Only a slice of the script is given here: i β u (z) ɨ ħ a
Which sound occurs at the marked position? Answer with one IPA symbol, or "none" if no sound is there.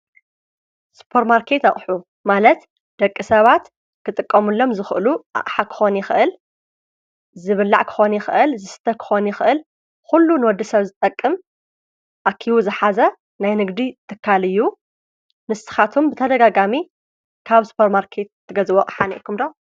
z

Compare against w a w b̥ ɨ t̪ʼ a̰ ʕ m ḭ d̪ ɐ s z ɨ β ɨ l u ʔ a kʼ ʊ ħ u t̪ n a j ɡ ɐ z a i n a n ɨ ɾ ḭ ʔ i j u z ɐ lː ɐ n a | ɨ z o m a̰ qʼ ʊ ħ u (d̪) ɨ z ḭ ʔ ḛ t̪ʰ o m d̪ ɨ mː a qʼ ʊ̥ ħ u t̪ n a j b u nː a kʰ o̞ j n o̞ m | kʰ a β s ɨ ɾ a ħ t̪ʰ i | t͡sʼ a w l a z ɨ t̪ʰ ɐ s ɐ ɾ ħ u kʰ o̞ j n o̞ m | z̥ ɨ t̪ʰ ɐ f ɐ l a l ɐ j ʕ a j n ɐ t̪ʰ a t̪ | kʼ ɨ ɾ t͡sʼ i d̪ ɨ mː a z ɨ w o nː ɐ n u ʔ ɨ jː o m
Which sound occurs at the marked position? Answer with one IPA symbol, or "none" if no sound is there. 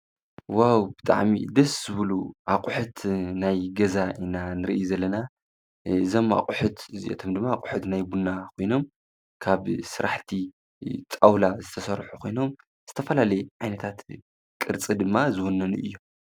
t̪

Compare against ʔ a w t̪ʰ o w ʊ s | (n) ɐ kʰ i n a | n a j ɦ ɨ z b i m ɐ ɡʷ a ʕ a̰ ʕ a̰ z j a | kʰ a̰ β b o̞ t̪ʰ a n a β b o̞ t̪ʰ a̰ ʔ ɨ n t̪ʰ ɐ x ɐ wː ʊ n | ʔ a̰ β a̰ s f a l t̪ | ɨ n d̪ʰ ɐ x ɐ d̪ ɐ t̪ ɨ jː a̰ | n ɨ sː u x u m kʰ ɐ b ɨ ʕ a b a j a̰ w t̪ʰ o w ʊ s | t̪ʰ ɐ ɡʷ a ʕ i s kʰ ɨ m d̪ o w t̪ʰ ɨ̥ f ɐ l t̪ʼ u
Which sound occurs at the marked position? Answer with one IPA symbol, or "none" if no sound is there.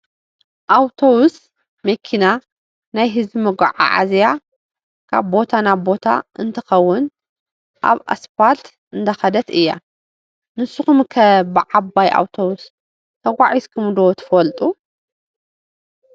m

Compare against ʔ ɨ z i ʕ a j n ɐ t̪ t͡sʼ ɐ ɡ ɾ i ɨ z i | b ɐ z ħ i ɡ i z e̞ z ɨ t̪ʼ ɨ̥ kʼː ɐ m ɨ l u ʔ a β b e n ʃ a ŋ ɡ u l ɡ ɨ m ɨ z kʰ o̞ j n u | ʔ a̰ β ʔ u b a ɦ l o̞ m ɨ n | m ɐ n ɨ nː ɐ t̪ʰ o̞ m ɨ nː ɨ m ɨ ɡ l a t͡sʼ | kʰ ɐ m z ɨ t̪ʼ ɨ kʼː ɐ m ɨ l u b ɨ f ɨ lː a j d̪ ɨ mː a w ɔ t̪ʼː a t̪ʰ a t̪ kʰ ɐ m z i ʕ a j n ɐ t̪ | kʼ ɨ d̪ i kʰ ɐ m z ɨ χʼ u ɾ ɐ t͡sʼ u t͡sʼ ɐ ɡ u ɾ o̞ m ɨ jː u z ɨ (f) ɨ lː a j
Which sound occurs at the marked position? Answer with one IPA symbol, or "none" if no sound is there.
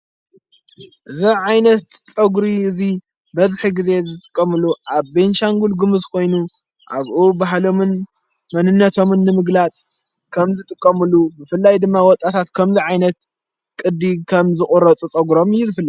f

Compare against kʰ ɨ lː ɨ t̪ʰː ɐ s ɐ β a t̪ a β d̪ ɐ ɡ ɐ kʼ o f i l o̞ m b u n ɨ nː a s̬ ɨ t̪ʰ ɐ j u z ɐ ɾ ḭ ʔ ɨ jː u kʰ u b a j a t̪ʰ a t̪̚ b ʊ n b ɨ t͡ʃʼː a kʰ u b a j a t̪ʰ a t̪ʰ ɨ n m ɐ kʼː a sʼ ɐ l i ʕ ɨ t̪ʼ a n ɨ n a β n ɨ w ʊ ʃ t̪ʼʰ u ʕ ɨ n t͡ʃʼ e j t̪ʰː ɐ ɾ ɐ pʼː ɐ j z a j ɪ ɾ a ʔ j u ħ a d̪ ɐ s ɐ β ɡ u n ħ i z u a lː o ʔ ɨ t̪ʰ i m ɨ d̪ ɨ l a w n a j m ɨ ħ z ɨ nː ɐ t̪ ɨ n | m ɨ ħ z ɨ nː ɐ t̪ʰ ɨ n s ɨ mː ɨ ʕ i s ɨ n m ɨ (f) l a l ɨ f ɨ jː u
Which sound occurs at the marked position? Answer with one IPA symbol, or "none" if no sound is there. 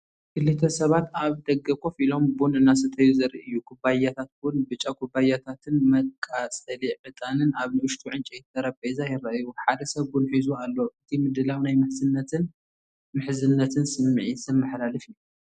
ħ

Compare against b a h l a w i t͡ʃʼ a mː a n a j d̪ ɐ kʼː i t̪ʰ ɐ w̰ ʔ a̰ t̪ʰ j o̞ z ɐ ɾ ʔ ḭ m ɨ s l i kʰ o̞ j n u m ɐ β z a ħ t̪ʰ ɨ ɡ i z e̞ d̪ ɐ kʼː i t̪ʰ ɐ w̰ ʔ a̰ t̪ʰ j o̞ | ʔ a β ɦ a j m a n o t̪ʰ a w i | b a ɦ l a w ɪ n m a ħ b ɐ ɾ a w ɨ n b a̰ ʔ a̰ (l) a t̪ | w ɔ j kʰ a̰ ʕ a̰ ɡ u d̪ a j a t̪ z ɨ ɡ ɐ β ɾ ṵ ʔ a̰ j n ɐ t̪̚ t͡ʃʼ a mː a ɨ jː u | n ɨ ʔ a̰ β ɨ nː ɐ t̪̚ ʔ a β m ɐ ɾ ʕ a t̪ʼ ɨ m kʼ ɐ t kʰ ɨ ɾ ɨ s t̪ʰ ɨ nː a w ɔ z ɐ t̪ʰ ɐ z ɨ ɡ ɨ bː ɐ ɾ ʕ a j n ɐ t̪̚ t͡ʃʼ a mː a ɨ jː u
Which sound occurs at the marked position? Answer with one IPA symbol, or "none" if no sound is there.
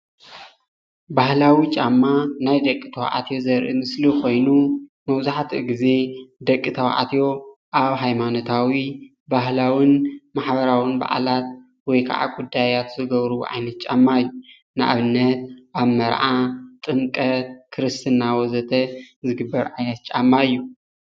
l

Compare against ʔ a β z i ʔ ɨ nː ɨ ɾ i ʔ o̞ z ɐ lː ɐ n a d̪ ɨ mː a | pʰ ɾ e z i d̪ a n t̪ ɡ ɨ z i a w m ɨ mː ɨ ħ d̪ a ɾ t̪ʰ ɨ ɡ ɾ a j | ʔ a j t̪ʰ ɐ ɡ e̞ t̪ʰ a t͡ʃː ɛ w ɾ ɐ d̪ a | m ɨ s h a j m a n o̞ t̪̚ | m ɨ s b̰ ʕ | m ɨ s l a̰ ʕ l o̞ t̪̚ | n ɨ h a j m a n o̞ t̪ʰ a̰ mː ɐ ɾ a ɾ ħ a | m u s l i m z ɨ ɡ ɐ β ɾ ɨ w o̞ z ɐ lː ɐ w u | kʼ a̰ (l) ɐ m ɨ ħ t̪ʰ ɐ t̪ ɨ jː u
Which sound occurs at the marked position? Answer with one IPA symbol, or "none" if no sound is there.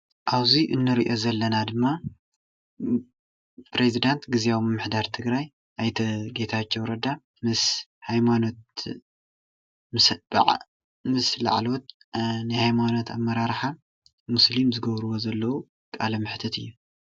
l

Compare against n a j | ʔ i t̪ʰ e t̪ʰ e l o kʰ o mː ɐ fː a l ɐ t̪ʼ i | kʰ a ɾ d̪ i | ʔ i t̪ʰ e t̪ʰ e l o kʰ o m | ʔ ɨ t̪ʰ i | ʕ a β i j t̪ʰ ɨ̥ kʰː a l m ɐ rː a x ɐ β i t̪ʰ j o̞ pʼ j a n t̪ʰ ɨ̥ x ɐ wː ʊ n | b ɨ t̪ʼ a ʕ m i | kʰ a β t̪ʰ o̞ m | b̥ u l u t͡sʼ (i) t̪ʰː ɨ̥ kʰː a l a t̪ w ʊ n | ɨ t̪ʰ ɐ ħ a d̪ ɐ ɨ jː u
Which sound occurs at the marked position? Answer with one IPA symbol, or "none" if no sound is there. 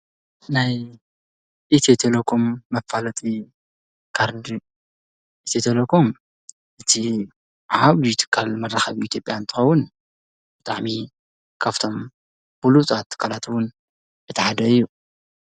a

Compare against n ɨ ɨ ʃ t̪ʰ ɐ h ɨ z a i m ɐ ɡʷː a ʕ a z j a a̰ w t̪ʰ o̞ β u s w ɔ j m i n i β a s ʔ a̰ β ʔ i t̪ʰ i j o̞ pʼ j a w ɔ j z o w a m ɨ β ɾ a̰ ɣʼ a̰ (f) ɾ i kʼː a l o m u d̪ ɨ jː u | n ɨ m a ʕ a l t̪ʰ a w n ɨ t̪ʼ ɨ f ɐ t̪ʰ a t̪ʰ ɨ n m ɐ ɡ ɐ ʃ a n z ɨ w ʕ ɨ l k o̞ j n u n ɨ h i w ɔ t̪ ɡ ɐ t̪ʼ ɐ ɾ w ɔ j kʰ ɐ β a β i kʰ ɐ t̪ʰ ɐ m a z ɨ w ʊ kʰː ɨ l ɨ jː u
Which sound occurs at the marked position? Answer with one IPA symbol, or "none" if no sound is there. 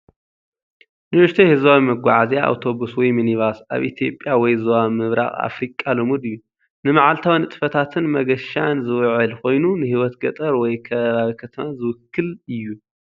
f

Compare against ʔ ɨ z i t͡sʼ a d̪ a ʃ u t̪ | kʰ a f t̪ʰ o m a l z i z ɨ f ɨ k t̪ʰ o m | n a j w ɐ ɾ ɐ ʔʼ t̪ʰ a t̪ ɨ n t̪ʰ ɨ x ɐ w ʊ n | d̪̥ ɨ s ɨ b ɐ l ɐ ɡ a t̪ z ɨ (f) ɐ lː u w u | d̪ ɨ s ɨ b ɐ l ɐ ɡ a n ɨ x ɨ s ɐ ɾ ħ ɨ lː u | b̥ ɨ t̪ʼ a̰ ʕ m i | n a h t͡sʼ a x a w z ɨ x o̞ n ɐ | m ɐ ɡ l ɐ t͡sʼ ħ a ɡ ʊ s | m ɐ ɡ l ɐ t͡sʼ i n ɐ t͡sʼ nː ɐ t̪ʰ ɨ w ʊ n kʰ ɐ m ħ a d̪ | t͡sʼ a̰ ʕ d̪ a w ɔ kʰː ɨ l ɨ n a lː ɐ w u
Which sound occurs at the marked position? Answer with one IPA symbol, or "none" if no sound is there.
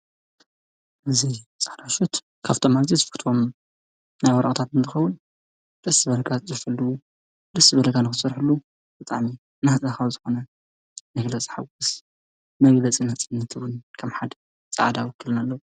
f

